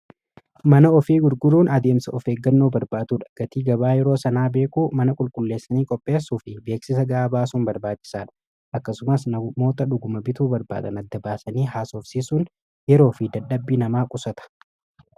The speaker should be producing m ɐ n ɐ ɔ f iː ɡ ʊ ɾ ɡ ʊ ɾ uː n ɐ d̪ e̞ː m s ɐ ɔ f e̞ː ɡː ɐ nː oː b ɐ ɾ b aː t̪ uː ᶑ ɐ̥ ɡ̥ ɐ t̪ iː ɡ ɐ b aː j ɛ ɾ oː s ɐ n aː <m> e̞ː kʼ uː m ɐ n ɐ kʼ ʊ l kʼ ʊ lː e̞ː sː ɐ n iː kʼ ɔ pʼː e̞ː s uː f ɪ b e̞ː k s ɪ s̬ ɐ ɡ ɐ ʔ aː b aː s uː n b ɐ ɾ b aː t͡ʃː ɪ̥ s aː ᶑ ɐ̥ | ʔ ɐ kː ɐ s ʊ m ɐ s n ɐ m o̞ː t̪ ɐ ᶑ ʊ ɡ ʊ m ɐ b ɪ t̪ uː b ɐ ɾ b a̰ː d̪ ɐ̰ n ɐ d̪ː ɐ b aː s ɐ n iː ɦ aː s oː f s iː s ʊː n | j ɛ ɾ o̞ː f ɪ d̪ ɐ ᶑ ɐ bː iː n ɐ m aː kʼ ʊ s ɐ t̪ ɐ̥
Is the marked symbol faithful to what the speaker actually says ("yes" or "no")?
no